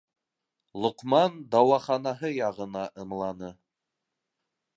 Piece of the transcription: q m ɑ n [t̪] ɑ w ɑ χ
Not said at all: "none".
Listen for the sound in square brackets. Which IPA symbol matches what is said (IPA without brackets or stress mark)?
d̪